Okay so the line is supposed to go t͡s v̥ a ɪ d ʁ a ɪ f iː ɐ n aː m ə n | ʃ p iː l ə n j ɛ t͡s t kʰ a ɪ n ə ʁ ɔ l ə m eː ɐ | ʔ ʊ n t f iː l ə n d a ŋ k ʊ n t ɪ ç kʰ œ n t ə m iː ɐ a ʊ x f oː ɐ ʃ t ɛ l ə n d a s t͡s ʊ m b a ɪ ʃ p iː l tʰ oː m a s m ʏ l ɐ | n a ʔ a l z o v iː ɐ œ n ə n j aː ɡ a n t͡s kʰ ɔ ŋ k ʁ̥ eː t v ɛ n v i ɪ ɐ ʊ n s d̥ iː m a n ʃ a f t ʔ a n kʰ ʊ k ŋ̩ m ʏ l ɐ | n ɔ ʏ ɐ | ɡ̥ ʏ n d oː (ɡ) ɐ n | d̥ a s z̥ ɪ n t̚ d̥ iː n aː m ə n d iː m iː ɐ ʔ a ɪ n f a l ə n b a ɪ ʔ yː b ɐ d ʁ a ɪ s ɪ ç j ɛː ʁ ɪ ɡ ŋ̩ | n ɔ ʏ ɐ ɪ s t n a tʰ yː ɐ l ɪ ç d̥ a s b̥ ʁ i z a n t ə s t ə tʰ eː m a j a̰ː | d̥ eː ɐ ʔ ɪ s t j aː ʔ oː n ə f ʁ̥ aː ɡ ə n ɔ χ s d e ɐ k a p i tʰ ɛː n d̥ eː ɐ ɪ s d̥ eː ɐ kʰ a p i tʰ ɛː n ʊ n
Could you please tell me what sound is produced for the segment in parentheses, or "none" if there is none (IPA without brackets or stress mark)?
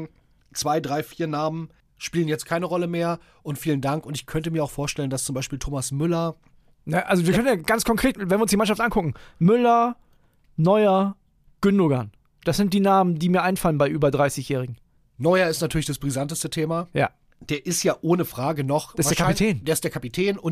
ɡ